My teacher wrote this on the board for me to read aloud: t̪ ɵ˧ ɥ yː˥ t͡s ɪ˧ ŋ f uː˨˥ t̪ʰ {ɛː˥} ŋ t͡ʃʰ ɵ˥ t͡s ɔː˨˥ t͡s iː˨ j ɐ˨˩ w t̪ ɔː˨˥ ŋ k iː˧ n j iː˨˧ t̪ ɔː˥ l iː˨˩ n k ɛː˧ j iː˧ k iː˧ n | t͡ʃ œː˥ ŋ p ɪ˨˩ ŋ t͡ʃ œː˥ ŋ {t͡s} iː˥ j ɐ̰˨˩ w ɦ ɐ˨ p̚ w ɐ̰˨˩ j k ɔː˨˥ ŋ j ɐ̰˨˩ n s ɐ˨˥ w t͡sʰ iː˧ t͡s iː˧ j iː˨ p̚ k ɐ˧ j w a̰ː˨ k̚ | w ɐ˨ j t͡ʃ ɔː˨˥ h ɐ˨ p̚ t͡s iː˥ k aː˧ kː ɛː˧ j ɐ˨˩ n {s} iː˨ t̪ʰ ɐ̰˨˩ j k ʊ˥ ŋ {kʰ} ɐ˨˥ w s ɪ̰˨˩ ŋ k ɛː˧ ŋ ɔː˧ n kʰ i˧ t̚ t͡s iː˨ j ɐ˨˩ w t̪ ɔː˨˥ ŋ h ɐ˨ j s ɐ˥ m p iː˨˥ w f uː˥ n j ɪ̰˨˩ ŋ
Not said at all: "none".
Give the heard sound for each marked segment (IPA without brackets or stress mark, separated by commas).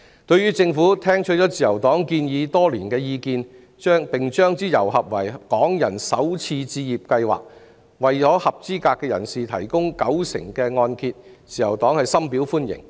ɛː˥, t͡s, s, k